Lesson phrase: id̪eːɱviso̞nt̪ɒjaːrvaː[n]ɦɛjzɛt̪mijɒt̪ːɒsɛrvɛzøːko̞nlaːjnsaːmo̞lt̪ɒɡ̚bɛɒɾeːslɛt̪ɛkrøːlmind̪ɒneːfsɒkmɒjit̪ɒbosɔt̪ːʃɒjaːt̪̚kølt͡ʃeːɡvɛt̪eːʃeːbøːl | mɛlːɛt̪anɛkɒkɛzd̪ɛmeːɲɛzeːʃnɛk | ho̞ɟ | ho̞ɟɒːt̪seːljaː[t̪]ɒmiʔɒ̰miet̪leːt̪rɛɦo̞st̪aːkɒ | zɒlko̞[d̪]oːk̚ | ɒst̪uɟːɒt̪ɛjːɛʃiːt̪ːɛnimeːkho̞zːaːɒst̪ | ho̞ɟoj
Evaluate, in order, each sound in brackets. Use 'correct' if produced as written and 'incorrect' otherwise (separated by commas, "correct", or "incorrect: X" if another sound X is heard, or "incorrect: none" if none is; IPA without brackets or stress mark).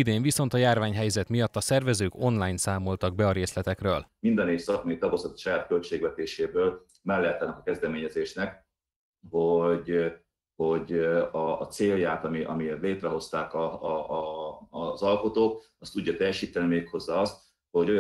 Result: incorrect: ɲ, correct, incorrect: t̪